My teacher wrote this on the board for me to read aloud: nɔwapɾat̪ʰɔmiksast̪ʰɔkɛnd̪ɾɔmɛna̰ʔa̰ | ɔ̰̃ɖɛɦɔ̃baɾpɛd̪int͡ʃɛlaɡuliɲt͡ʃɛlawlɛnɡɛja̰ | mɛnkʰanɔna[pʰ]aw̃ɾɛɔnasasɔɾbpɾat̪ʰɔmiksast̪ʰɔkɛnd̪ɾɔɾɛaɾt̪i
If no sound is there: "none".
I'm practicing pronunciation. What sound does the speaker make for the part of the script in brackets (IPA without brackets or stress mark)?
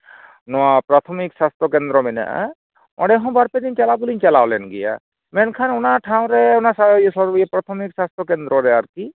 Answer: ʈʰ